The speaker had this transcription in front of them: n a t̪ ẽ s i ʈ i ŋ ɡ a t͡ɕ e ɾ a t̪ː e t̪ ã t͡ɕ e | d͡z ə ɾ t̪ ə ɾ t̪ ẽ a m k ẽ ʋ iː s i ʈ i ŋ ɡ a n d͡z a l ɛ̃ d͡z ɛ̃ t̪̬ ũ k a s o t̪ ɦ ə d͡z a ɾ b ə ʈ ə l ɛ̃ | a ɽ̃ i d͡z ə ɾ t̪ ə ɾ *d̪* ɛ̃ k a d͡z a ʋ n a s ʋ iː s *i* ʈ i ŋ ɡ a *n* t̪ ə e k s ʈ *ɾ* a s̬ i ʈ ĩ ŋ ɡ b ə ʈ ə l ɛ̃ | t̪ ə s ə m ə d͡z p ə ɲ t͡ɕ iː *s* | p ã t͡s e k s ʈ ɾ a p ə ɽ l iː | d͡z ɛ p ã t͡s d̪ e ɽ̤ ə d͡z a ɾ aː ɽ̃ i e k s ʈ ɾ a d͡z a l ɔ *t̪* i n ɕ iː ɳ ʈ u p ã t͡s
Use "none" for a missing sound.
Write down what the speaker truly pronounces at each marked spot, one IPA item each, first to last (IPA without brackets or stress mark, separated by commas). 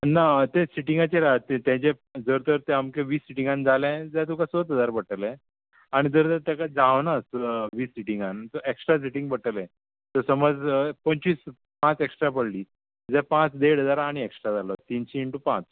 t̪, i, n, ɾ, s, t̪